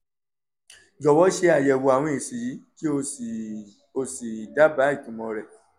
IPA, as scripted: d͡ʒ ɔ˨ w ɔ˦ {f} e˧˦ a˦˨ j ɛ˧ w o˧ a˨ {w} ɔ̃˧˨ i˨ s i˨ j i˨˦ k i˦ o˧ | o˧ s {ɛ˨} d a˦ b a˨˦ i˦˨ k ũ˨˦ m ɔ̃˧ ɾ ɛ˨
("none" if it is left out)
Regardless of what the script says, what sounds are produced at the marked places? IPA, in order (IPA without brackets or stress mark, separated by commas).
ʃ, w, i˨